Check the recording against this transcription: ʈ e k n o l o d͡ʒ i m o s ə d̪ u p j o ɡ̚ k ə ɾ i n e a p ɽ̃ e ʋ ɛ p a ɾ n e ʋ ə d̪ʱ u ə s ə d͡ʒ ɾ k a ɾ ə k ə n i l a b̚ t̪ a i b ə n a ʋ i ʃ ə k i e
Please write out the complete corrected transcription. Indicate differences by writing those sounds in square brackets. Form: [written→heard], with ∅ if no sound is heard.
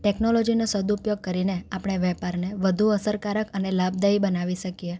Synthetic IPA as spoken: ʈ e k n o l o d͡ʒ i [m→n] o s ə d̪ u p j o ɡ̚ k ə ɾ i n e a p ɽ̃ e ʋ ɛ p a ɾ n e ʋ ə d̪ʱ u ə s ə [d͡ʒ→∅] ɾ k a ɾ ə k ə n [i→e] l a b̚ [t̪→d̪] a i b ə n a ʋ i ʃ ə k i e